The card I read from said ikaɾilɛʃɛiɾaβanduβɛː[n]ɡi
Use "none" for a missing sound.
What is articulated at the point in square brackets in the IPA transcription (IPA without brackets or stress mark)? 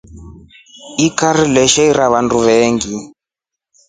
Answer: ŋ